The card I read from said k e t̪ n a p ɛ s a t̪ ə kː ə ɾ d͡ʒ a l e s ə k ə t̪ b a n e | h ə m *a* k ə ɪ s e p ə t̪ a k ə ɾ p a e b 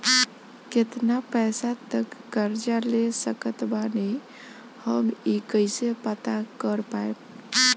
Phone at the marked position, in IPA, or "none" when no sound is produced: i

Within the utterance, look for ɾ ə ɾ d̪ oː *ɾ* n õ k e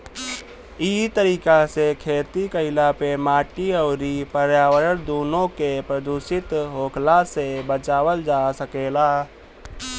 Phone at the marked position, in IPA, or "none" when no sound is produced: none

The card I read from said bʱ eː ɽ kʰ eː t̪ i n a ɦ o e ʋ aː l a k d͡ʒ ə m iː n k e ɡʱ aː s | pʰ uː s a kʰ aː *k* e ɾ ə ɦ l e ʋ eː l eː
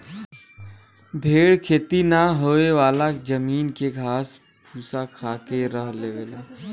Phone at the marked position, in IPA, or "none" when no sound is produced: k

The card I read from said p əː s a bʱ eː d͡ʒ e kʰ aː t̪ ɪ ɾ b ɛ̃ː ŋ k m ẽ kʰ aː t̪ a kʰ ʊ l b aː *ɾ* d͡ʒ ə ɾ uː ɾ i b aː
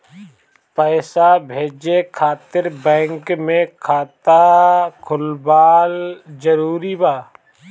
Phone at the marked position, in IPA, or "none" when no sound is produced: l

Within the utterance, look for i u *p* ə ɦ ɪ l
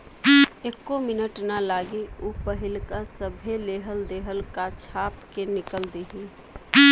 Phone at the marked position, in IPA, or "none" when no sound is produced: p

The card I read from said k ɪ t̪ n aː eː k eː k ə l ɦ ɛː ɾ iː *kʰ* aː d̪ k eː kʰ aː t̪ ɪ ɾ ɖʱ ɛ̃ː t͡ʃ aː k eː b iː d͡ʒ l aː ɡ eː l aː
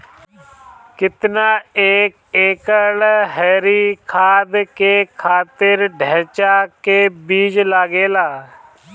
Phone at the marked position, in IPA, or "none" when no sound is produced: kʰ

